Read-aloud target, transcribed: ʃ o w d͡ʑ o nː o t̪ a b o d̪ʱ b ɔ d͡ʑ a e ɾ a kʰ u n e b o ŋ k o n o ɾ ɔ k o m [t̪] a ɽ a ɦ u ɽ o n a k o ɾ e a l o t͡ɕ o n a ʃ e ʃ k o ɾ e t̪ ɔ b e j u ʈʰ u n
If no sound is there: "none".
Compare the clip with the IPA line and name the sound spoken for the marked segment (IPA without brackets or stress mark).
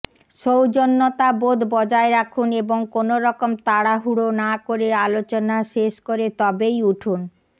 t̪